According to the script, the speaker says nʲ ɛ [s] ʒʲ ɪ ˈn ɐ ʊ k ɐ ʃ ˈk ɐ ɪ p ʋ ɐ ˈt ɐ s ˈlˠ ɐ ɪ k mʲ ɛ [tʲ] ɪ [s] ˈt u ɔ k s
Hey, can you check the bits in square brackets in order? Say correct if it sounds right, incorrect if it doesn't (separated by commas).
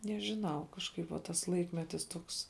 incorrect, correct, correct